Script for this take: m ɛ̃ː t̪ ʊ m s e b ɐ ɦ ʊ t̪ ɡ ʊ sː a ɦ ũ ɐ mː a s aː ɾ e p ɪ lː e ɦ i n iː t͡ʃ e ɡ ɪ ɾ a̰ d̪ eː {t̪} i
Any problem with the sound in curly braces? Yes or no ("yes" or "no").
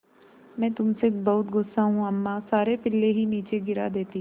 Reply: no